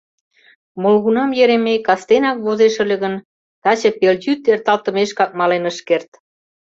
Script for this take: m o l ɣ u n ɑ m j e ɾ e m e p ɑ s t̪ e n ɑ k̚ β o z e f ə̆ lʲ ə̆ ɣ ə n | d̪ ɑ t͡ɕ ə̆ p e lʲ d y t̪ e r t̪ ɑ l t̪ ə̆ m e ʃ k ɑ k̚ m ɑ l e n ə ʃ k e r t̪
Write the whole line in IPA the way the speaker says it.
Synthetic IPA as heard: m o l ɣ u n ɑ m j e ɾ e m e k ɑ s t̪ e n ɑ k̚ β o z e ʃ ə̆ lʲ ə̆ ɣ ə n | t̪ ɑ t͡ɕ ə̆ p e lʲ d y t̪ e r t̪ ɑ l t̪ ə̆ m e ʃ k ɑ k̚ m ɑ l e n ə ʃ k e r t̪